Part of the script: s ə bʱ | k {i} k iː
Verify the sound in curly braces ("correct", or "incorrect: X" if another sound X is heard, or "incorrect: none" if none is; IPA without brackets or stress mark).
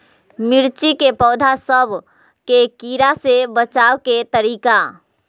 incorrect: e